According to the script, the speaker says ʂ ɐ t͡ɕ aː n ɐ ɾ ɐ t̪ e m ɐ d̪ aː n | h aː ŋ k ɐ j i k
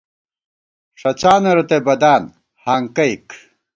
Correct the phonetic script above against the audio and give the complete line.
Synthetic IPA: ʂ ɐ t͡ɕ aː n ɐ ɾ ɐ t̪ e b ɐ d̪ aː n | h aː ŋ k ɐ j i k